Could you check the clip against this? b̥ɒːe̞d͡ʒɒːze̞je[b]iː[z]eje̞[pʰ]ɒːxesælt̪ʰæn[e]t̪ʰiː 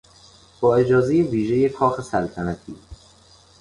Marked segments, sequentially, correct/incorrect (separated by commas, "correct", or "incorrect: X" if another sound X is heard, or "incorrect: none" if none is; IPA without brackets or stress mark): incorrect: v, incorrect: ʒ, incorrect: kʰ, incorrect: æ